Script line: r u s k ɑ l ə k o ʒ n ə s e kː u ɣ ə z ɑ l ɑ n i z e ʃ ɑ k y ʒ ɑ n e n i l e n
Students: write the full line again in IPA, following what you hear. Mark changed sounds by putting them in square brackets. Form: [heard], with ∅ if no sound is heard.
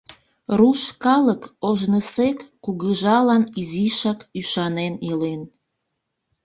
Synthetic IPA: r u [ʃ] k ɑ l ə k o ʒ n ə s e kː u ɣ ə [ʒ] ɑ l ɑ n i z [i] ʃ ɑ k y [ʃ] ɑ n e n i l e n